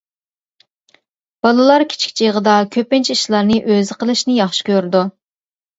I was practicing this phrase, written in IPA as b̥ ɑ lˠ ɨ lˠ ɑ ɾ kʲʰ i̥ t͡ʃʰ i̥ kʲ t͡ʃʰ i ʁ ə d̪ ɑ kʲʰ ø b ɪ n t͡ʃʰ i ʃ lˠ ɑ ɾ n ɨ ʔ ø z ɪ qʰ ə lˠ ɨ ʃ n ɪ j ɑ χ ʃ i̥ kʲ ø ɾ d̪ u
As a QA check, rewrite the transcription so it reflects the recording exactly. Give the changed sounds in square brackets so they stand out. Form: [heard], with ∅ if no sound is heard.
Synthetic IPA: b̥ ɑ lˠ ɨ lˠ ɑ ɾ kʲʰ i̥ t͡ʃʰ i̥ kʲ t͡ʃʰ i ʁ ə d̪ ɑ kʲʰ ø [p] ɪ n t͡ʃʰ i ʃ lˠ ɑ ɾ n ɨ ʔ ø z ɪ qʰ ə lˠ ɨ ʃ n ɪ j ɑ χ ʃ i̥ kʲ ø ɾ d̪ u